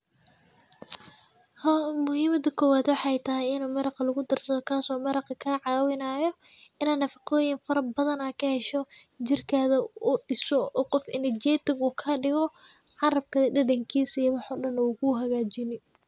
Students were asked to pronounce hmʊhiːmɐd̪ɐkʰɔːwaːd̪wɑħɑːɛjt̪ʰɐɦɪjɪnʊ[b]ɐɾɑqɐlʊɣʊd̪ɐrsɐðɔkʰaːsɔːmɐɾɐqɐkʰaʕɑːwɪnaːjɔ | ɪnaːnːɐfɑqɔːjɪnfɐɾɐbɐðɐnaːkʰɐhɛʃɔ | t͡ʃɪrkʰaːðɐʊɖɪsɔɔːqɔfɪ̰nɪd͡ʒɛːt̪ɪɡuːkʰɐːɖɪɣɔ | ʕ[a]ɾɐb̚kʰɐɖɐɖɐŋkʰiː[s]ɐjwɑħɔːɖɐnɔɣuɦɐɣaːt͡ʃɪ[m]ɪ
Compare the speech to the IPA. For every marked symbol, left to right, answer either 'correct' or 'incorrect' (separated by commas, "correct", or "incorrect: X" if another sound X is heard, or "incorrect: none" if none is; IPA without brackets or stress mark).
incorrect: m, incorrect: ɑ, correct, incorrect: n